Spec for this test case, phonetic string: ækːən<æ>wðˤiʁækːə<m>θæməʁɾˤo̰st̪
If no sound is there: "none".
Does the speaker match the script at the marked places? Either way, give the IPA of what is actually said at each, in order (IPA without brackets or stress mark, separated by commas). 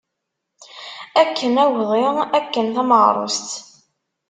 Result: æ, n